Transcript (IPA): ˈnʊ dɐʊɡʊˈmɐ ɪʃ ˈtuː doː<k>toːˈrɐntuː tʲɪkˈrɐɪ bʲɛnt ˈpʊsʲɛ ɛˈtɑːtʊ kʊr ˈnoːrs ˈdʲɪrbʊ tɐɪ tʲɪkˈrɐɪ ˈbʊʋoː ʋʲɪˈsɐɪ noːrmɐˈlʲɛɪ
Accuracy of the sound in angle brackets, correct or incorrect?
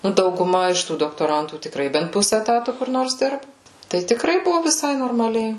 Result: correct